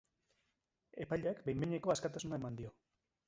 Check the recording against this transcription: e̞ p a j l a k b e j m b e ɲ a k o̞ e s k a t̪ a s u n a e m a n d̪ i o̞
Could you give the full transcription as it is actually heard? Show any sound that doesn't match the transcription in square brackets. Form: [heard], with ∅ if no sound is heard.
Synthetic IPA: e̞ p a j [ʎ] a k b e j m b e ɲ [e] k o̞ [a] s k a t̪ a s u n a e m a n d̪ i o̞